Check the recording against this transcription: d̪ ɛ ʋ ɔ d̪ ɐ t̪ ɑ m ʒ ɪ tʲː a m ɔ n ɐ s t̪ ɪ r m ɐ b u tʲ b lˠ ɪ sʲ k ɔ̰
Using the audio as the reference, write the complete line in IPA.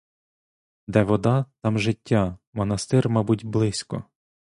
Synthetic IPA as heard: d̪ ɛ ʋ ɔ d̪ ɑ t̪ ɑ m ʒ ɪ tʲː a m ɔ n ɐ s t̪ ɪ r m ɑ b u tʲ b lˠ ɪ sʲ k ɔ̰